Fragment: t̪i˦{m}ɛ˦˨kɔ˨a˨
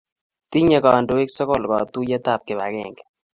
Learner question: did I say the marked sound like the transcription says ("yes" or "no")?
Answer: no